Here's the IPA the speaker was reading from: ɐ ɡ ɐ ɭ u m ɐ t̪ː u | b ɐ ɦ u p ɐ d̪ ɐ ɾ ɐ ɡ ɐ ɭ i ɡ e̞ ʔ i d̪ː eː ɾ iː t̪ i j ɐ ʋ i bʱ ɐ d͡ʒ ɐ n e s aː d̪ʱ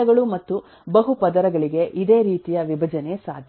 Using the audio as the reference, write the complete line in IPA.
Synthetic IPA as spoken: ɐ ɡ ɐ ɭ u m ɐ t̪ː u | b ɐ ɦ u p ɐ d̪ ɐ ɾ ɐ ɡ ɐ ɭ i ɡ e̞ ʔ i d̪ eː ɾ iː t̪ i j ɐ ʋ i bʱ ɐ d͡ʒ ɐ n e s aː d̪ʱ